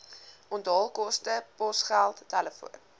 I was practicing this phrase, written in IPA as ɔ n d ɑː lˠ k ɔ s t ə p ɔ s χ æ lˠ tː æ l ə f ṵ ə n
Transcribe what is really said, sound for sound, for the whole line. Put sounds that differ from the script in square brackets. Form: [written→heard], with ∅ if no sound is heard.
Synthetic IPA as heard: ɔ n d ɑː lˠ k ɔ s t ə p ɔ s χ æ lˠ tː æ l ə f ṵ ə n